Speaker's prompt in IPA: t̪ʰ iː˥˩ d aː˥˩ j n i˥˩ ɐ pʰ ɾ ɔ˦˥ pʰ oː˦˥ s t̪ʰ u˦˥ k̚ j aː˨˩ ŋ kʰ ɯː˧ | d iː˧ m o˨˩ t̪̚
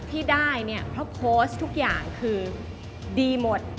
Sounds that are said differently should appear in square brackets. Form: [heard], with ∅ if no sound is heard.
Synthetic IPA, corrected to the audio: t̪ʰ iː˥˩ d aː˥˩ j n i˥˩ ɐ pʰ ɾ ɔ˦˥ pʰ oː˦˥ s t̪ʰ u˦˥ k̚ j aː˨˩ ŋ kʰ ɯː˧ | d iː˧ m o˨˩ t̪̚